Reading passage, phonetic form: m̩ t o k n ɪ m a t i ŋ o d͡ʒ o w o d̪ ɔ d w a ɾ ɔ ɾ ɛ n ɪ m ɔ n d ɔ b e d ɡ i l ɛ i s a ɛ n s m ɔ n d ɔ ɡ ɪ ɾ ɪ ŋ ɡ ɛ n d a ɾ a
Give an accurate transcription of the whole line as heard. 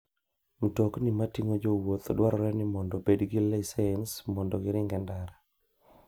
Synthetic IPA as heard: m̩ t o k n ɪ m a t i ŋ o d͡ʒ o w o t̪ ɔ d w a ɾ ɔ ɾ ɛ n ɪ m ɔ n d ɔ b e d ɡ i l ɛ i s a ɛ n s m ɔ n d ɔ ɡ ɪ ɾ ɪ ŋ ɡ ɛ n d a ɾ a